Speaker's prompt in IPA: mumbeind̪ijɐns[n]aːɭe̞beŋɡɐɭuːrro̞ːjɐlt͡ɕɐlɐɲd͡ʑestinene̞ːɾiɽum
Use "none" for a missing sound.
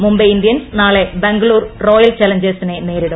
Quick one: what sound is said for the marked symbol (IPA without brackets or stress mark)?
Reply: n